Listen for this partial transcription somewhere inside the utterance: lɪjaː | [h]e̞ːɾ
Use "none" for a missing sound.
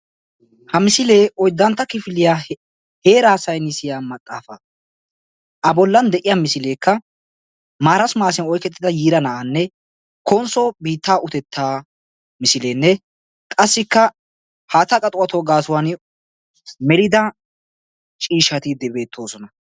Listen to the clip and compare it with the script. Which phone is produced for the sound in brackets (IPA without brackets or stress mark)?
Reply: h